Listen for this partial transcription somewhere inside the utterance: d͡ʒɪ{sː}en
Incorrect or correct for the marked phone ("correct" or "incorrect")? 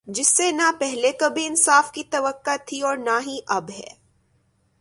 correct